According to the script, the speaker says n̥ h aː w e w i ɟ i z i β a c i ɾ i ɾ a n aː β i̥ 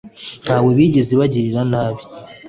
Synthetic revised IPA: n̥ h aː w e β i ɟ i z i β a ɟ i ɾ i ɾ a n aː β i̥